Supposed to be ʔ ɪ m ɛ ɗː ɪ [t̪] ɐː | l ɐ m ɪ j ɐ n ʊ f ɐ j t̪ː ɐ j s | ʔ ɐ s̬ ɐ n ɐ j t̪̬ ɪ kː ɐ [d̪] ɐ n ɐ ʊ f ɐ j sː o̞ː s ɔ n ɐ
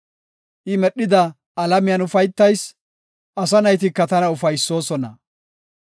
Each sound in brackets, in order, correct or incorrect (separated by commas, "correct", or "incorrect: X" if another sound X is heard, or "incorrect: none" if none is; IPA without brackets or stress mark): incorrect: d̪, incorrect: t̪